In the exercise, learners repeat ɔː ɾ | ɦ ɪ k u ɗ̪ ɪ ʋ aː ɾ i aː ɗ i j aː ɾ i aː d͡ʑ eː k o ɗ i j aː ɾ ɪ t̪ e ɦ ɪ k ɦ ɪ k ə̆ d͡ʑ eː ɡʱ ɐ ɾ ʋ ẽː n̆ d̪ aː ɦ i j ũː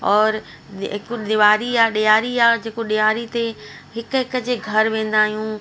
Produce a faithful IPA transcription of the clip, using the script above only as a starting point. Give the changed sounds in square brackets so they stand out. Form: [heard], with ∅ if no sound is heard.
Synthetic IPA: ɔː ɾ | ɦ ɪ k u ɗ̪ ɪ ʋ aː ɾ i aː ɗ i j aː ɾ i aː d͡ʑ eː k o ɗ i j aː ɾ [i] t̪ e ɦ ɪ k ɦ ɪ k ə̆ d͡ʑ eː ɡʱ ɐ ɾ ʋ ẽː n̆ d̪ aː ɦ i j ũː